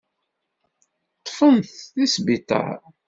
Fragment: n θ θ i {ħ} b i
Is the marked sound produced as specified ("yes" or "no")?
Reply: no